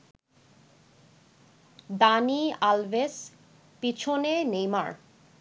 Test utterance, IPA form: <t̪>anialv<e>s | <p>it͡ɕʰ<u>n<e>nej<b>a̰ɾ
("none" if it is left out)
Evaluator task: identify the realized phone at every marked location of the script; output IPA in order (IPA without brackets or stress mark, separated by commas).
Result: d̪, e, p, o, e, m